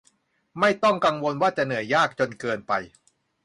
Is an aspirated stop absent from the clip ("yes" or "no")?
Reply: yes